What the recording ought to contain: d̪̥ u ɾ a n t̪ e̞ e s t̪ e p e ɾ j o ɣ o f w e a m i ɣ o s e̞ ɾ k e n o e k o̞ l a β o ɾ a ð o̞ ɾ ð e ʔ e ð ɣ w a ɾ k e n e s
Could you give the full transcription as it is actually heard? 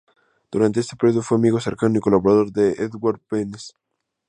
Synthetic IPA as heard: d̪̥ u ɾ a n t̪ e̞ e s t̪ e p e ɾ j o ð o f w e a m i ɣ o s e̞ ɾ k a n o i k o̞ l a β o ɾ a ð o̞ ɾ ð e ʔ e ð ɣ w a ɾ p e n e s